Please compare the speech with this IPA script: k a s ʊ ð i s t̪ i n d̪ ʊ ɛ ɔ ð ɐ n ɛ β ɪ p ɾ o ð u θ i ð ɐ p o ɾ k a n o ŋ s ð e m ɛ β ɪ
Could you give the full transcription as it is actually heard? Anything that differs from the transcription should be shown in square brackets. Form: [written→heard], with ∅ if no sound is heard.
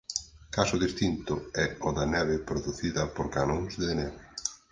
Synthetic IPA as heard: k a s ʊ ð i s t̪ i n [d̪→t̪] ʊ ɛ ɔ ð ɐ n ɛ β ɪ p ɾ o ð u θ i ð ɐ p o ɾ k a n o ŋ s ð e [m→n] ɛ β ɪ